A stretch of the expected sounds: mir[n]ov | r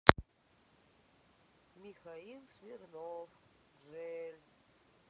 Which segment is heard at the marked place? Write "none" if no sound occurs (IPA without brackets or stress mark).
n